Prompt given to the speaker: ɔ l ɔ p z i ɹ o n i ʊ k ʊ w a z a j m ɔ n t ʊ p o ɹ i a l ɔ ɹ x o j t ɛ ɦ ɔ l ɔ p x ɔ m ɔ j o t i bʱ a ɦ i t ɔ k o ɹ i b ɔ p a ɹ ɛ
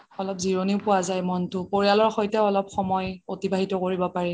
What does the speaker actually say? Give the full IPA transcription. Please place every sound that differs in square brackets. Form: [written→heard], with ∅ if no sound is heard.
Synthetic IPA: ɔ l ɔ p z i ɹ o n i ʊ [k→p] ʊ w a z a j m ɔ n t ʊ p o ɹ i a l ɔ ɹ x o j t ɛ [ɦ→∅] ɔ l ɔ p x ɔ m ɔ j o t i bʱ a ɦ i t ɔ k o ɹ i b ɔ p a ɹ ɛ